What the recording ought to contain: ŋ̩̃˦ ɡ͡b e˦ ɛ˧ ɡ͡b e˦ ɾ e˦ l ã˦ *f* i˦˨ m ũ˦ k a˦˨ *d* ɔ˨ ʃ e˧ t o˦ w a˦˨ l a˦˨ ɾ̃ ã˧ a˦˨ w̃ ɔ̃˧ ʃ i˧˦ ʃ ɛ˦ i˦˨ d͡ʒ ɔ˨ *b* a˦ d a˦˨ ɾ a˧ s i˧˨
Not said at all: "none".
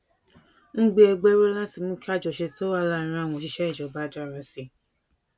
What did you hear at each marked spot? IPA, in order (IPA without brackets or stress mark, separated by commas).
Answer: s, d͡ʒ, b